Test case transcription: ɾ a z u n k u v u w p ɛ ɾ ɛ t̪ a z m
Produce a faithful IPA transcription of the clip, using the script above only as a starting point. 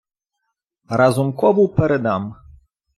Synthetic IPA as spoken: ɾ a z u m k ɔ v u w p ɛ ɾ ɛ d̪ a m